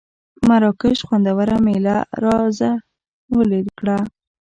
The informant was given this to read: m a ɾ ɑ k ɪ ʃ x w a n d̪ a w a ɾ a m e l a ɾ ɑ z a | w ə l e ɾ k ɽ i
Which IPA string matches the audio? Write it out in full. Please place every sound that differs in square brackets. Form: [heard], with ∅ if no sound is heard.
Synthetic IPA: m a ɾ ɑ k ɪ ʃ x w a n d̪ a w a ɾ a m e l a ɾ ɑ z a | w ə l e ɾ k ɽ [a]